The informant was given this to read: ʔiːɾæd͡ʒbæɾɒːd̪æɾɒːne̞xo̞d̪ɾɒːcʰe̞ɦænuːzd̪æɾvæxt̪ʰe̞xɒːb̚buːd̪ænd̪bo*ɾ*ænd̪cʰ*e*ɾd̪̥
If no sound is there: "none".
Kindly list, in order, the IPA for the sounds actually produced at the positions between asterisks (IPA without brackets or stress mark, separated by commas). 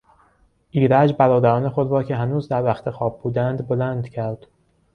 l, æ